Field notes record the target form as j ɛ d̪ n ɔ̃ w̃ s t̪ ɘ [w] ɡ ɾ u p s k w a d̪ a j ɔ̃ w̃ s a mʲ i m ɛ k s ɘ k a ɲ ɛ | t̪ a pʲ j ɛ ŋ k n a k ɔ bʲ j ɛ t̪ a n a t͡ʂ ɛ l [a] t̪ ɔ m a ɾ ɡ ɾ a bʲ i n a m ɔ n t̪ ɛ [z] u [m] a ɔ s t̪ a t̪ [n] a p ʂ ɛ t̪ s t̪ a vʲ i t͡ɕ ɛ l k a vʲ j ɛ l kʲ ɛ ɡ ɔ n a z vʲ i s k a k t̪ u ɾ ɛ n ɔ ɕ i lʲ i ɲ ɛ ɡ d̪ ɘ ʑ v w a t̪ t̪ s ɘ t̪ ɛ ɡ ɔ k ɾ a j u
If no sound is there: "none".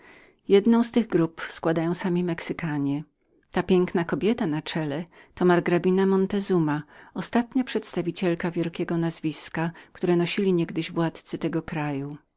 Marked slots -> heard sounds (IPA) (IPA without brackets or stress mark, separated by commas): ɣ, ɛ, z, m, ɲ